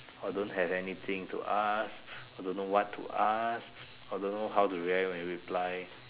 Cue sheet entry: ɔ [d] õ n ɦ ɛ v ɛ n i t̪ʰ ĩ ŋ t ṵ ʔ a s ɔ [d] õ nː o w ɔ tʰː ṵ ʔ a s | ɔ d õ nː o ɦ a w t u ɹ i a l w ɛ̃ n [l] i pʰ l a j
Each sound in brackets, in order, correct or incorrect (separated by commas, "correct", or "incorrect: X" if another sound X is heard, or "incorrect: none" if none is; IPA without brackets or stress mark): correct, correct, incorrect: ɹ